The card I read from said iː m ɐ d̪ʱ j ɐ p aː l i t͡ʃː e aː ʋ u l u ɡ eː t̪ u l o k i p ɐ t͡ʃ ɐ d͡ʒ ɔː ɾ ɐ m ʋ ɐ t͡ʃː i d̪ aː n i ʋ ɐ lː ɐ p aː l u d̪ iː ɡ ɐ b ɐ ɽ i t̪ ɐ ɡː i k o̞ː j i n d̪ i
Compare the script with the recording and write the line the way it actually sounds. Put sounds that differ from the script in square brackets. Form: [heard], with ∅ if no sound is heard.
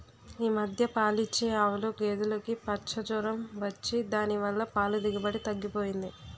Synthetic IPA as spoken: iː m ɐ d̪ʱ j ɐ p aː l i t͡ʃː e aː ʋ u l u ɡ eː [d̪] u l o k i p ɐ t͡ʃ ɐ d͡ʒ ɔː ɾ ɐ m ʋ ɐ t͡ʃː i d̪ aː n i ʋ ɐ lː ɐ p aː l u d̪ [i] ɡ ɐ b ɐ ɽ i t̪ ɐ ɡː i [p] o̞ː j i n d̪ i